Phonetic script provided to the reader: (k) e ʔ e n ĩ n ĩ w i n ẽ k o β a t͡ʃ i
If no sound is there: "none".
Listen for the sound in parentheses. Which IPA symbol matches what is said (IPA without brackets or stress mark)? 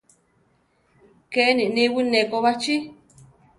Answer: k